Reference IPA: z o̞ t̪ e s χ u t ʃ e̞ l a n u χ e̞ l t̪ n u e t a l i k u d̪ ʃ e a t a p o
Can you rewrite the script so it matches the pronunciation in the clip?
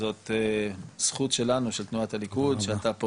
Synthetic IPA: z o̞ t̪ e s χ u t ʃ e̞ l a n u ʃ e̞ l t̪ n u a t a l i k u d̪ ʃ e a t a p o